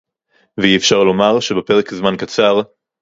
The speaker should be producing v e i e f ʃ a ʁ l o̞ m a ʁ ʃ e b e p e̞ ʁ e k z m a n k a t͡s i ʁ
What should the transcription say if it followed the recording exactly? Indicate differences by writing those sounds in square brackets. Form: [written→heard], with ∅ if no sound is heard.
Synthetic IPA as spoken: v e i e f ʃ a ʁ l o̞ m a ʁ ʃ e b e p e̞ ʁ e k z m a n k a t͡s [i→a] ʁ

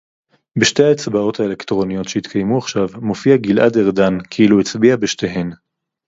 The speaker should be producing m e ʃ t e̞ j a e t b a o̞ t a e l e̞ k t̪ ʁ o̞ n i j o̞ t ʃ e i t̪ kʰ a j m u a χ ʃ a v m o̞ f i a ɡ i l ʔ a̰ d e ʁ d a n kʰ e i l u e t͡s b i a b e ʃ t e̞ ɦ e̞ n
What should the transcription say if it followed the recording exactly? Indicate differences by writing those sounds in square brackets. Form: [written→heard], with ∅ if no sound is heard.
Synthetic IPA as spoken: [m→b] e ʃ t e̞ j a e [t→t͡s] b a o̞ t a e l e̞ k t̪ ʁ o̞ n i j o̞ t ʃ e i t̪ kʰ a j m u a χ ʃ a v m o̞ f i a ɡ i l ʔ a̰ d e ʁ d a n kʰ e i l u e t͡s b i a b e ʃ t e̞ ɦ e̞ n

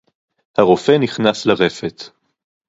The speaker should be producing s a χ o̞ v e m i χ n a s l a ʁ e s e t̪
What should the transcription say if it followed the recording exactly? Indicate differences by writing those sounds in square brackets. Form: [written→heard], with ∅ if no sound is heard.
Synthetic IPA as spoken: [s→h] a [χ→ʁ] o̞ [v→f] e [m→n] i χ n a s l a ʁ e [s→f] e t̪

